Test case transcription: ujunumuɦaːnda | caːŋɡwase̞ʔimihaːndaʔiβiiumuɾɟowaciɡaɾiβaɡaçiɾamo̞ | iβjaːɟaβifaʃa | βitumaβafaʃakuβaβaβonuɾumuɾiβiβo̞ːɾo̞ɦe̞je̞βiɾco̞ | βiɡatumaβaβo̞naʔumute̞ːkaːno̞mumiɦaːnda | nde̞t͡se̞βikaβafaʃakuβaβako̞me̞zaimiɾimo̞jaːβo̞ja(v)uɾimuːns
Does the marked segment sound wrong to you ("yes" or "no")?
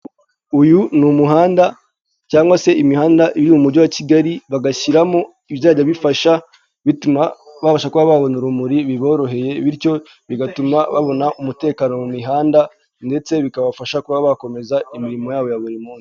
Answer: yes